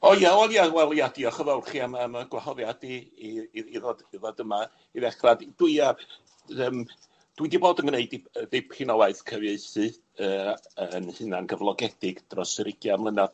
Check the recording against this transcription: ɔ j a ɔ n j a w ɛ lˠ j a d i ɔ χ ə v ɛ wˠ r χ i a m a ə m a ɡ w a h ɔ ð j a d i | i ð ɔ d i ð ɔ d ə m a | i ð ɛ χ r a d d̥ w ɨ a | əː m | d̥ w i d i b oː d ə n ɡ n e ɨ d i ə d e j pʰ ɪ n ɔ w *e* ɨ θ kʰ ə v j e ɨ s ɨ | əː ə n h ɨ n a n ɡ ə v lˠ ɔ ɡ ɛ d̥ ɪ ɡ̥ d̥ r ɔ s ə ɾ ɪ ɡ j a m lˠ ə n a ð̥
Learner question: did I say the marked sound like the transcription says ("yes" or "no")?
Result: no